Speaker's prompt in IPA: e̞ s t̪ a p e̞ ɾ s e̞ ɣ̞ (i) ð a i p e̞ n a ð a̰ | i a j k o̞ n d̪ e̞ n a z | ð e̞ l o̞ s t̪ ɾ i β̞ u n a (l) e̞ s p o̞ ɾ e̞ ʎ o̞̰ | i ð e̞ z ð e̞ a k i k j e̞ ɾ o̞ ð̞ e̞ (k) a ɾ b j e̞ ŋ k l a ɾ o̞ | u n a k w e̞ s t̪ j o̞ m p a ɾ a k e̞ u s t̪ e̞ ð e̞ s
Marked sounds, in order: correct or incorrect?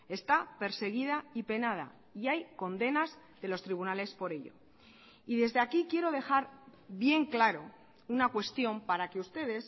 correct, correct, incorrect

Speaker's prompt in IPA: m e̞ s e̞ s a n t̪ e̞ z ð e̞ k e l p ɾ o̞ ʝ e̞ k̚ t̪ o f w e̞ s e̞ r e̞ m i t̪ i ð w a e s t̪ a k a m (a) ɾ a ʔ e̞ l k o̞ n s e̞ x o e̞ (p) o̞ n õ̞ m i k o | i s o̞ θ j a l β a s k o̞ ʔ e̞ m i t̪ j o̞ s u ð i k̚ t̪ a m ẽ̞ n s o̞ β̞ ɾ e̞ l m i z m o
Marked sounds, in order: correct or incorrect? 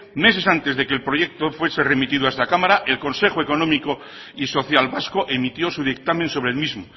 correct, incorrect

